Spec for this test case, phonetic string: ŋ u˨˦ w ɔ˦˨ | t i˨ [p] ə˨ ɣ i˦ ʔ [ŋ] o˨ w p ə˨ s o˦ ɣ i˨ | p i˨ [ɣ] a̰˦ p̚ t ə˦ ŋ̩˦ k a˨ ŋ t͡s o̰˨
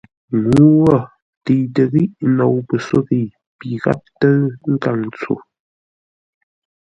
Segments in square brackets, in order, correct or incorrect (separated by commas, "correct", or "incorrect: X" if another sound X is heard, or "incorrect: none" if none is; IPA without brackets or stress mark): incorrect: t, incorrect: n, correct